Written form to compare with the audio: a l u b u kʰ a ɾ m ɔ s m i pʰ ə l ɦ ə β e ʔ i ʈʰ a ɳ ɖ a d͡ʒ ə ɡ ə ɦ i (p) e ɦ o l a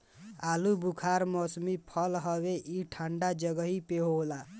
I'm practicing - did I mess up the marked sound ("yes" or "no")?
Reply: no